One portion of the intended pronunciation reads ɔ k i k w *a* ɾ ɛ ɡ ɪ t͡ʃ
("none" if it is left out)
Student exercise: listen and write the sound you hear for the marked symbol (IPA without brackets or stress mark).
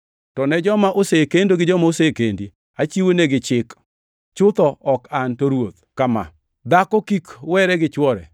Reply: ɛ